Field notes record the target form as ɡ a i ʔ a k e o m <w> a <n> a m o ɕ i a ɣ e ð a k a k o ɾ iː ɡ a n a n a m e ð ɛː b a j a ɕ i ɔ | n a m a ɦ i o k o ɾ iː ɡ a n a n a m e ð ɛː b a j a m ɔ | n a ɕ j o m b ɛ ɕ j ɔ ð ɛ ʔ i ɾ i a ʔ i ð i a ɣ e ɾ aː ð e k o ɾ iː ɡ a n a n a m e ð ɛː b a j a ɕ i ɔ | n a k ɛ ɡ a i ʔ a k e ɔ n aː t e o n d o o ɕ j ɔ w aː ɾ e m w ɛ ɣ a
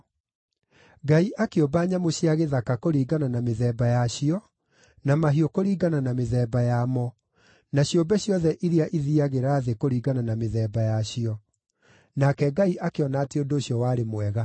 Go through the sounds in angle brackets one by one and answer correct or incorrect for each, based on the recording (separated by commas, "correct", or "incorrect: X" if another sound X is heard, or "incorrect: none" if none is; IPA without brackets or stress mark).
incorrect: b, incorrect: ɲ